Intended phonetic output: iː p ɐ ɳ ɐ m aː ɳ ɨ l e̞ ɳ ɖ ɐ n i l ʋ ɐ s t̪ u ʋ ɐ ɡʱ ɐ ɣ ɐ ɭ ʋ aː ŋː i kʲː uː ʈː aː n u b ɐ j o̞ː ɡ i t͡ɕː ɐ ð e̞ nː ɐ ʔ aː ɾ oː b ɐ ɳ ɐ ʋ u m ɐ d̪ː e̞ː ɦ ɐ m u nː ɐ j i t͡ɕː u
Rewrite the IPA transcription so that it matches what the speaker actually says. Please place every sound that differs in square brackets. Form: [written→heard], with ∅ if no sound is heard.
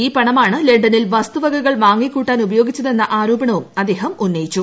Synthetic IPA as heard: iː p ɐ ɳ ɐ m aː ɳ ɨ l e̞ ɳ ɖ ɐ n i l ʋ ɐ s t̪ u ʋ ɐ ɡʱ ɐ ɣ ɐ ɭ ʋ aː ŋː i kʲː uː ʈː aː n u b ɐ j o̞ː ɡ i t͡ɕː ɐ ð e̞ nː ɐ ʔ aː ɾ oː b ɐ ɳ ɐ ʋ u m ɐ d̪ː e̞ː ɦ ɐ m u nː ɐ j i t͡ɕː u